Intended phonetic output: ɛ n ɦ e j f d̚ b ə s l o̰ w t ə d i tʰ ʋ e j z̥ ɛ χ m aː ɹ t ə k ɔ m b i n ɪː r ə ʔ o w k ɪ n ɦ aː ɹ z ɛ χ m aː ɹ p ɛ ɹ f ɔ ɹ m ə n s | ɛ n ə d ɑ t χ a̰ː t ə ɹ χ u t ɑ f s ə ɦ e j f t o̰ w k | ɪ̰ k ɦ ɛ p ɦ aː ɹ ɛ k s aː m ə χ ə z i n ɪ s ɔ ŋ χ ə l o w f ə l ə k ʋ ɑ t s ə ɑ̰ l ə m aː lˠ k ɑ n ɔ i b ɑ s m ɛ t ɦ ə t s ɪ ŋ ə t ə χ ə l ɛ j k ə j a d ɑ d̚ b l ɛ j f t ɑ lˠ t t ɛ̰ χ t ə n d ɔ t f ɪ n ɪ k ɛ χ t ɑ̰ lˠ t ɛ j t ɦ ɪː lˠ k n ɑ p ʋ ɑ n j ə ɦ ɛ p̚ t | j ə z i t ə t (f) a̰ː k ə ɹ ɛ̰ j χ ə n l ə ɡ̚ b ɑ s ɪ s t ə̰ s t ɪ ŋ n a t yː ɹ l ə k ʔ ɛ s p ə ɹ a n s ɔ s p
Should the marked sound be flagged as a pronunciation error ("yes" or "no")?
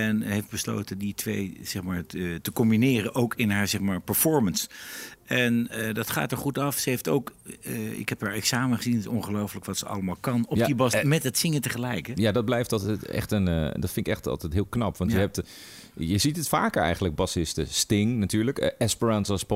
no